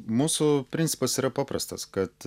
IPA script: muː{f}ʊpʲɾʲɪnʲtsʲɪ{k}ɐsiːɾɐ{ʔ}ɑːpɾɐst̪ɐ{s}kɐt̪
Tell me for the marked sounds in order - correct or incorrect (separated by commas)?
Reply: incorrect, incorrect, incorrect, correct